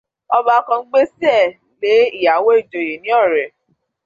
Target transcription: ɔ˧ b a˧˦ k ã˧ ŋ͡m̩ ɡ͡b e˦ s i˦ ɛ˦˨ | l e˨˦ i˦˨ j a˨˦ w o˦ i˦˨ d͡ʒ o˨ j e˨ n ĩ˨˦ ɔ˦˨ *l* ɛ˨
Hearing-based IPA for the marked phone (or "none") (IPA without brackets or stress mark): ɾ